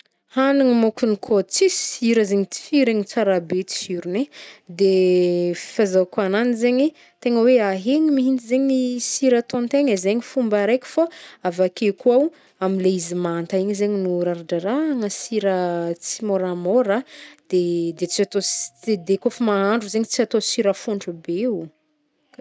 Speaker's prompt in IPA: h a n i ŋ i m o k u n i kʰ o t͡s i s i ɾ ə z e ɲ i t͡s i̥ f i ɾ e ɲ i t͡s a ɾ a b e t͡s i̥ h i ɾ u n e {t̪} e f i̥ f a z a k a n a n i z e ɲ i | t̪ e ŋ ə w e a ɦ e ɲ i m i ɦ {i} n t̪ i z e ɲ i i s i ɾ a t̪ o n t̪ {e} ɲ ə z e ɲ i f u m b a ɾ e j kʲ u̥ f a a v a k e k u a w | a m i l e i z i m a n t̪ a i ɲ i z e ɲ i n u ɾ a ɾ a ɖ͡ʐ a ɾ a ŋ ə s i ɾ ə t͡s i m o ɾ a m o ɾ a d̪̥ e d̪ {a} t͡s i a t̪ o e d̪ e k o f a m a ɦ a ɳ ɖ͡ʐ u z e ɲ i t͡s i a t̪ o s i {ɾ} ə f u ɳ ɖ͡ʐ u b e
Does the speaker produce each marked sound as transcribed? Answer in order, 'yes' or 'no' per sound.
no, yes, yes, no, yes

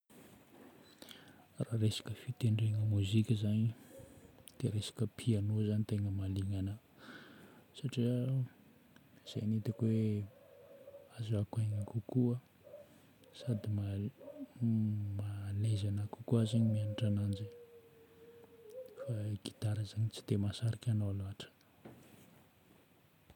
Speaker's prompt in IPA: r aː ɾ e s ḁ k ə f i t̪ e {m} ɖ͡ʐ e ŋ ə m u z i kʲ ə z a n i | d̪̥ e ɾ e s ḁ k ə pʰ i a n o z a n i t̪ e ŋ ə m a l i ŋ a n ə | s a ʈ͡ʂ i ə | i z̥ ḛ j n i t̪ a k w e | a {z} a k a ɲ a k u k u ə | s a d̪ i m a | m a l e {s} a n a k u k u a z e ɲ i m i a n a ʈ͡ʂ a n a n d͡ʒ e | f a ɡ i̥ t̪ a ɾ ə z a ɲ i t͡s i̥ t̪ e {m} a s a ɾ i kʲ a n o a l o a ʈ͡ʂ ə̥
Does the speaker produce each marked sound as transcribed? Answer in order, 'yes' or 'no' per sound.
no, yes, no, yes

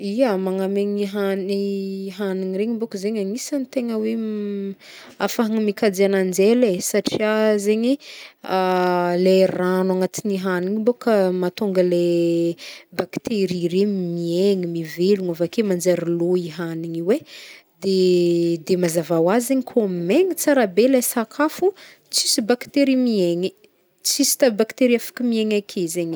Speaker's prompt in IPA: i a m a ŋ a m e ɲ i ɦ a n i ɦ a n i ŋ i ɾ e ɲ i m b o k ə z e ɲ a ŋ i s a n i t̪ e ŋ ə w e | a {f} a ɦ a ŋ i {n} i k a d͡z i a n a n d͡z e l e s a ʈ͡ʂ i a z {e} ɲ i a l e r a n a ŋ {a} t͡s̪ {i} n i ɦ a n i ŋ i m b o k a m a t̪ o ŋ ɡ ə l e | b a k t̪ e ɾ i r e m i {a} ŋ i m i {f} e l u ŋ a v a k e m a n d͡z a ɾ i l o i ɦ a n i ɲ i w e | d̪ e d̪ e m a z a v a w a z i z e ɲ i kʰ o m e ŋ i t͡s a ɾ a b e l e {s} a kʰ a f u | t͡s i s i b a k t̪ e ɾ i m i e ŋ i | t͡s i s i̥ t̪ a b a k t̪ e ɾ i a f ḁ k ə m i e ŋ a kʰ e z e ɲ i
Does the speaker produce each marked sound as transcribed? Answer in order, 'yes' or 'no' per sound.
yes, no, yes, yes, yes, no, no, yes

